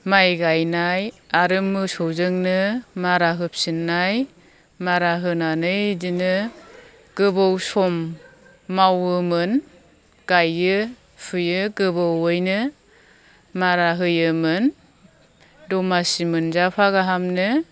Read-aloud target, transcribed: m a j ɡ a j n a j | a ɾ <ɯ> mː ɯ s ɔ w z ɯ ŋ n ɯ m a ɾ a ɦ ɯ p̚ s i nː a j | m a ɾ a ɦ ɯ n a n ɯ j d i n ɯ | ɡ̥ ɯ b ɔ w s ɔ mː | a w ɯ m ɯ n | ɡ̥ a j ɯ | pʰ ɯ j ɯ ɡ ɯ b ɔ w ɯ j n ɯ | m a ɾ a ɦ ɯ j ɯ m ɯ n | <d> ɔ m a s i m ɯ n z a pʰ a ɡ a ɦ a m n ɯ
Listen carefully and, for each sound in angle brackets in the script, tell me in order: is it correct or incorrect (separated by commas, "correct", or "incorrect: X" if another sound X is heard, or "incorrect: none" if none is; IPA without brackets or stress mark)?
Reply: correct, correct